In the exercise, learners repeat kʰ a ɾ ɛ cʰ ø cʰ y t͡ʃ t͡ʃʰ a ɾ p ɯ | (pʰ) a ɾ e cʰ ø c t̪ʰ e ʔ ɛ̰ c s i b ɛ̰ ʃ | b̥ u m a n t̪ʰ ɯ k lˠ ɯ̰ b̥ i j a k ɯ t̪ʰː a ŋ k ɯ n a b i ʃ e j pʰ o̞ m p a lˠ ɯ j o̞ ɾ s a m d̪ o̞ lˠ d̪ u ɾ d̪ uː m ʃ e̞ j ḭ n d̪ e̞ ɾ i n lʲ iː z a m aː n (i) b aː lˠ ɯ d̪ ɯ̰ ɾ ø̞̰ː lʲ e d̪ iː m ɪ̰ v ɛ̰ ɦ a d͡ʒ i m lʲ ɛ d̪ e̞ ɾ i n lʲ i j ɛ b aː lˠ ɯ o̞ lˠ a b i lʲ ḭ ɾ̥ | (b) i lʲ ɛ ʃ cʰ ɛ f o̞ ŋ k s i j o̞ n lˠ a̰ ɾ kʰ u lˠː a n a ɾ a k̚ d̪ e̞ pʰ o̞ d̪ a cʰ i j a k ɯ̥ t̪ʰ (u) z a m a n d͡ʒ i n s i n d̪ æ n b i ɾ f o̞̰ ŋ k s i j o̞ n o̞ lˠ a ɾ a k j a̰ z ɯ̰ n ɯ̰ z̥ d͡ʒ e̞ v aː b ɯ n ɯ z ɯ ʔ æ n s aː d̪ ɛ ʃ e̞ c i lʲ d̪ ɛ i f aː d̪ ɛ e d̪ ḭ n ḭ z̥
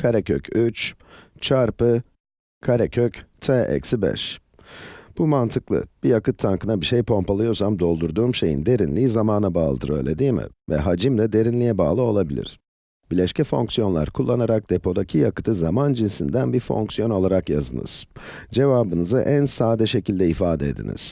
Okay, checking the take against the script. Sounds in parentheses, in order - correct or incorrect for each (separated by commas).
incorrect, incorrect, correct, incorrect